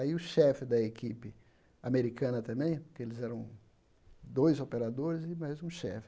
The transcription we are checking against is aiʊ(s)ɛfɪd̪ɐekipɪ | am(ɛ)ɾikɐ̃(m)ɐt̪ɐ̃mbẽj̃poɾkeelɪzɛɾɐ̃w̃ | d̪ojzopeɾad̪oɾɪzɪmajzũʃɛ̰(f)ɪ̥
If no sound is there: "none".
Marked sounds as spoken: ʃ, e, n, f

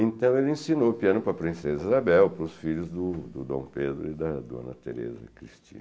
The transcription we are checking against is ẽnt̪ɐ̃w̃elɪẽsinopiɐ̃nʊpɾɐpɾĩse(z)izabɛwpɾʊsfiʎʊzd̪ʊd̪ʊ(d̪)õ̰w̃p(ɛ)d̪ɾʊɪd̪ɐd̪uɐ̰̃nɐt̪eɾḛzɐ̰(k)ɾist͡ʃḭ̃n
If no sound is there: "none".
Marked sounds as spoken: z, d̪, e, k

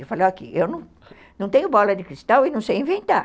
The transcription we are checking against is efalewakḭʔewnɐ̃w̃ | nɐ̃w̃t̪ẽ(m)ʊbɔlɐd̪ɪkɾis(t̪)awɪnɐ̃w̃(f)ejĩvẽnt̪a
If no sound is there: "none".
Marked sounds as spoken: ɲ, t̪, s

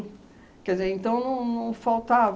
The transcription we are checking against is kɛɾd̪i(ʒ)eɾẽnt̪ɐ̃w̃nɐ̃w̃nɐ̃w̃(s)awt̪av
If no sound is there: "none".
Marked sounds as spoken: z, f

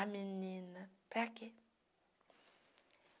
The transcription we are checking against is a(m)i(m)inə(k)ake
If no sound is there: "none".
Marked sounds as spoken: m, n, p

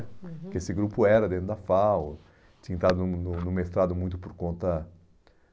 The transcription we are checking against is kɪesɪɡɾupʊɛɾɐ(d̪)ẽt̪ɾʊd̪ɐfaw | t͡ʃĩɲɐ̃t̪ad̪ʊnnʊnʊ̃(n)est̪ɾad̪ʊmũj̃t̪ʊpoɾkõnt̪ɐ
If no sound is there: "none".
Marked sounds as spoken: d̪, m

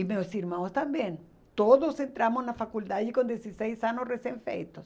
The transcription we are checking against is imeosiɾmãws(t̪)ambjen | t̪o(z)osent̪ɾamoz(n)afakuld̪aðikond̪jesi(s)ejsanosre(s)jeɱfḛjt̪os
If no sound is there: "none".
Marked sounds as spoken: t̪, ð, n, s, s

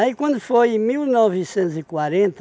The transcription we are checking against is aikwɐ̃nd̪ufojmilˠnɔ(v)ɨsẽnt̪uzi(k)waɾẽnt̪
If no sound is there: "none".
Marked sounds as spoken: v, k

